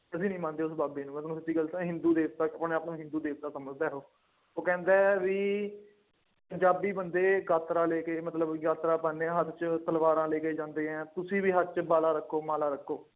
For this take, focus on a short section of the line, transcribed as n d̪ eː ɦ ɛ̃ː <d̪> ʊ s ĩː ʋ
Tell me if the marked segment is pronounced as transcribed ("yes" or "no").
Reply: no